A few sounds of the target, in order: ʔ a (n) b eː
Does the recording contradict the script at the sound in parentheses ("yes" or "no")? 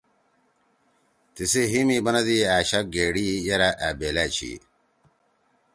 yes